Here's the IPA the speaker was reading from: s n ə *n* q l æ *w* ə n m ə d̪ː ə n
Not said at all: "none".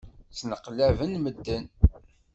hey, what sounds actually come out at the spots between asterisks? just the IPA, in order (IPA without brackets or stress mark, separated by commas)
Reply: none, v